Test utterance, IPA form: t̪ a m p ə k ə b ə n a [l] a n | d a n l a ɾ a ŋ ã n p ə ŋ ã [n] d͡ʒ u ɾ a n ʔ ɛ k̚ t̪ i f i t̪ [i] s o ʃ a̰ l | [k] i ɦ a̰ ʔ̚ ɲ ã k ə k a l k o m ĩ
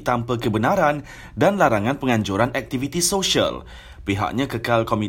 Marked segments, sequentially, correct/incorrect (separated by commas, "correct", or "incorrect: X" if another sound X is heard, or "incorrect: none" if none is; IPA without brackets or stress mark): incorrect: ɾ, incorrect: ɲ, correct, incorrect: p